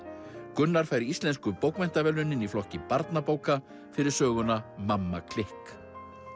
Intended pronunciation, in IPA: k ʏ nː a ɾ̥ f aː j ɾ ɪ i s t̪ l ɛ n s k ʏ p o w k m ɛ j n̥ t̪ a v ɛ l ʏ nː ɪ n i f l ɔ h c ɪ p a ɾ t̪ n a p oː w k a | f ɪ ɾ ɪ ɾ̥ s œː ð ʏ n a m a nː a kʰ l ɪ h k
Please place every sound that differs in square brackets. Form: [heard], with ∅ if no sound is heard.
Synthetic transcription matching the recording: k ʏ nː a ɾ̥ f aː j ɾ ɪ i s t̪ l ɛ n s k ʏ p o w k m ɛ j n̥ t̪ a v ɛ l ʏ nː ɪ n i f l ɔ h c ɪ p a ɾ t̪ n a p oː w k a | f ɪ ɾ ɪ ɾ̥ s œː [ɣ] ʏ n a m a [mː] a kʰ l ɪ h k